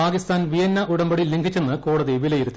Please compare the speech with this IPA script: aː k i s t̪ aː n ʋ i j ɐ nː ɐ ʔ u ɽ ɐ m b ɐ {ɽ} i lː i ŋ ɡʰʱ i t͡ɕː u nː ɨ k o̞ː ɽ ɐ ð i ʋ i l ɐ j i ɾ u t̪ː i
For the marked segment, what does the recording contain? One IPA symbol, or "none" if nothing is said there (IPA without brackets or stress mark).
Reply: ɽ